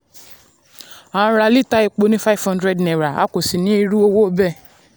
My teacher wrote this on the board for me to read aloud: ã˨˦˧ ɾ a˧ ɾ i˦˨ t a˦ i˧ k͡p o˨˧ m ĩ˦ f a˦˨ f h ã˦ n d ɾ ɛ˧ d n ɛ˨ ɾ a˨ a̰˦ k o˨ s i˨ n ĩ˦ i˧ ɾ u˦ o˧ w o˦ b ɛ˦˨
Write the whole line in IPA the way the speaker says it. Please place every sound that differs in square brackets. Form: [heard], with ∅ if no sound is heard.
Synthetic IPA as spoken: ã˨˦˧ ɾ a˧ [l] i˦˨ t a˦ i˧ k͡p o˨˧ [n] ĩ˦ f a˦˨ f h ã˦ n d ɾ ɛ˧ d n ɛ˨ ɾ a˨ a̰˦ k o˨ s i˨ n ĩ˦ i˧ ɾ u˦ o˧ w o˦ b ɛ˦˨